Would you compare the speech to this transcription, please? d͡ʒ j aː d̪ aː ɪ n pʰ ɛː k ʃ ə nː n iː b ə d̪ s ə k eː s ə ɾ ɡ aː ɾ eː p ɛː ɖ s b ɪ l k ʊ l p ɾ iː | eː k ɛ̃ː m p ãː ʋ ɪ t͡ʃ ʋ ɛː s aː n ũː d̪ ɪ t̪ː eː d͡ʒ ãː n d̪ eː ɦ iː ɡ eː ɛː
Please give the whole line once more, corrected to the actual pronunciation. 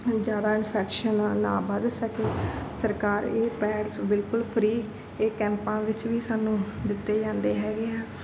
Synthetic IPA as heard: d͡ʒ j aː d̪ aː ɪ n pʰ ɛː k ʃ ə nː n aː b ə d̪ s ə k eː s ə ɾ k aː ɾ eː p ɛː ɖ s b ɪ l k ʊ l pʰ ɾ iː | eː k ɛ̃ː m p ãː ʋ ɪ t͡ʃ ʋ iː s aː n ũː d̪ ɪ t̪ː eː d͡ʒ ãː n d̪ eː ɦ ɛː ɡ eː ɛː